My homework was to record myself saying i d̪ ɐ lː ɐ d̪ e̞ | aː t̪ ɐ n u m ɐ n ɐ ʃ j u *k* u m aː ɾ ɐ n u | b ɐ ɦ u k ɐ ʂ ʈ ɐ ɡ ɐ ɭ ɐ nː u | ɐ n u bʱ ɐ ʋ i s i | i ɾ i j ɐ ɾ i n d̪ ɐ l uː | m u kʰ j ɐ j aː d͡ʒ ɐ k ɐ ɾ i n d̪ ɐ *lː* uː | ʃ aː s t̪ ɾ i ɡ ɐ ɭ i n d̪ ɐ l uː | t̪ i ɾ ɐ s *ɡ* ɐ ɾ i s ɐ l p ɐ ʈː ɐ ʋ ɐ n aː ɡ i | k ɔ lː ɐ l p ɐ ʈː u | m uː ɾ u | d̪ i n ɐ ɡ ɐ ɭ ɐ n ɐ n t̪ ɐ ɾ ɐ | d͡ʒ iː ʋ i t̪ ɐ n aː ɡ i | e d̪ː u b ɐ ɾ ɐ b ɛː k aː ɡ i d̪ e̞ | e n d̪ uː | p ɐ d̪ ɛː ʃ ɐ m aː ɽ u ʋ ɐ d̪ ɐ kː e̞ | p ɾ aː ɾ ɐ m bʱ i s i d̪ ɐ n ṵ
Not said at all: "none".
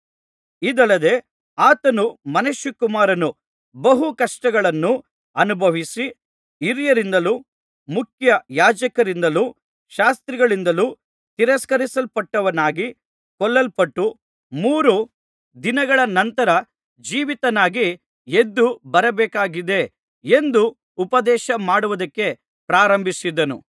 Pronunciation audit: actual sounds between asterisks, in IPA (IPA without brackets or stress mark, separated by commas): k, l, k